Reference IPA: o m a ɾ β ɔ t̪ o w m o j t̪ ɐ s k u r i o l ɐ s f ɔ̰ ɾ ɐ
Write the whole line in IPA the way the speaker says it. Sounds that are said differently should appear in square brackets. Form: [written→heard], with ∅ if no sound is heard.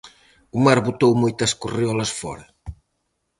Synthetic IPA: [o→u] m a ɾ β [ɔ→u] t̪ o w m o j t̪ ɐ s k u r i [o→ɔ] l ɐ s f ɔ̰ ɾ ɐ

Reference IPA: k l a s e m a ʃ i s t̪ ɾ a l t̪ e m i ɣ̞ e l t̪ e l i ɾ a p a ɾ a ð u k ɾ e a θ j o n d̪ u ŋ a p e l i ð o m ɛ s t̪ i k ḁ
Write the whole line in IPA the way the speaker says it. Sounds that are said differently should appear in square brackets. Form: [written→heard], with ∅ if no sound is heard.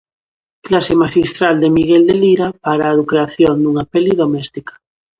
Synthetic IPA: k l a s e m a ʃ i s t̪ ɾ a l [t̪→d̪] e m i ɣ̞ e l [t̪→d̪] e l i ɾ a p a ɾ a ð u k ɾ e a θ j o n d̪ u ŋ a p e l i ð o m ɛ s t̪ i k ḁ

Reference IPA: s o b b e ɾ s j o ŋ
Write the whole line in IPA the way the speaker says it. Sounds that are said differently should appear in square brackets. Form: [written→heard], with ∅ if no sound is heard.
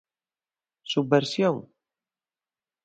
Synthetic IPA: s [o→u] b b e ɾ s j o ŋ

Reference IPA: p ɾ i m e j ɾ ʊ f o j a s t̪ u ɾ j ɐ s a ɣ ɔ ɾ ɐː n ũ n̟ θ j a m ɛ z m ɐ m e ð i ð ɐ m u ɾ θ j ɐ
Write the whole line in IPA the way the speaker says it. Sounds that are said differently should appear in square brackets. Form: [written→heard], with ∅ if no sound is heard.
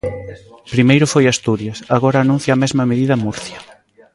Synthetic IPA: p ɾ i m e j ɾ ʊ f o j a s t̪ u ɾ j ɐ s a ɣ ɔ ɾ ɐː n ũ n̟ θ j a m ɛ z m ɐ m e ð i ð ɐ m u ɾ θ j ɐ

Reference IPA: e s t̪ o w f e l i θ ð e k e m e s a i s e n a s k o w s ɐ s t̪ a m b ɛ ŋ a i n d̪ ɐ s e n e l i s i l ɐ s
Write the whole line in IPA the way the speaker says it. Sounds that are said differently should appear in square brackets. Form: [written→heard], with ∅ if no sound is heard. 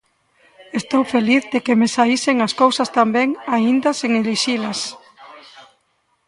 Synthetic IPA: e s t̪ o w f e l i θ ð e k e m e s a i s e [n→ŋ] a s k o w s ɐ s t̪ a m b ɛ ŋ a i n d̪ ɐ s e [n→ŋ] e l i [s→ʃ] i l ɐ s

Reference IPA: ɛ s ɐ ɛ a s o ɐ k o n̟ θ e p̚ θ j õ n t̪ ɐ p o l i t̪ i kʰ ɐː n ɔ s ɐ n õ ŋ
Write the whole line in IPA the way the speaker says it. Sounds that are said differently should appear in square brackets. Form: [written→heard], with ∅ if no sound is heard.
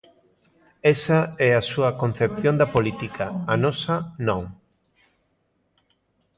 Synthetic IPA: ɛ s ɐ ɛ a s [o→u] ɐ k o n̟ θ e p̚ θ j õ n [t̪→d̪] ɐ p o l i t̪ i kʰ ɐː n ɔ s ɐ n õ ŋ

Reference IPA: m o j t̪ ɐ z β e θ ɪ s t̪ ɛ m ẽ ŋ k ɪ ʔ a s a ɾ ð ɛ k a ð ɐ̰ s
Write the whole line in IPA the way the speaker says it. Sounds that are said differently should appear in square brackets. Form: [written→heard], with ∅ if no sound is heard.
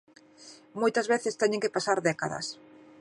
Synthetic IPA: m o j t̪ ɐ z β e θ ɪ s t̪ ɛ [m→ɲ] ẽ ŋ k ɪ [ʔ→p] a s a ɾ ð ɛ k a ð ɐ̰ s

